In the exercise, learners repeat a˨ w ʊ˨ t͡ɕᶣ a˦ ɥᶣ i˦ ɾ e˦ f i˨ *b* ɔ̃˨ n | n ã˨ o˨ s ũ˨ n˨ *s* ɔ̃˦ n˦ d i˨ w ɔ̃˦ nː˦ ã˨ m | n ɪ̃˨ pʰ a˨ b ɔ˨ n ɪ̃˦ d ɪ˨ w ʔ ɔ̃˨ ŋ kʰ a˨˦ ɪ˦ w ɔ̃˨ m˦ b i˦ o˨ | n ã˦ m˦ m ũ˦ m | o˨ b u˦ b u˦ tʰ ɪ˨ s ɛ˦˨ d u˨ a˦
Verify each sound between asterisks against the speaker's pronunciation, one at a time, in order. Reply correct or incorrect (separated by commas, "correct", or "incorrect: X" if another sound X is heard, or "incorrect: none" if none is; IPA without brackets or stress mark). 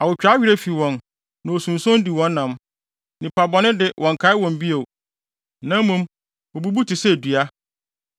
incorrect: w, correct